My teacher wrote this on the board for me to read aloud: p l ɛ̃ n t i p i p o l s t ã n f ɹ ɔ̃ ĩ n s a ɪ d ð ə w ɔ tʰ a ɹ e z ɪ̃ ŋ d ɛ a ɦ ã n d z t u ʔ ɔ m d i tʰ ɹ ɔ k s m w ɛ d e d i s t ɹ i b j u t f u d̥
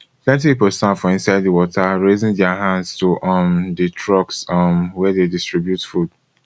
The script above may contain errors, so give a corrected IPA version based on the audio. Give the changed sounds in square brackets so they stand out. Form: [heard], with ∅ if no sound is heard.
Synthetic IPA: p l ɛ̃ n t i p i p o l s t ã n f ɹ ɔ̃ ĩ n s a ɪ d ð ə w ɔ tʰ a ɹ e z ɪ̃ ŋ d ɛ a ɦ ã n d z t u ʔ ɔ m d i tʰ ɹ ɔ k s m w ɛ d e d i s t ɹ i b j u t f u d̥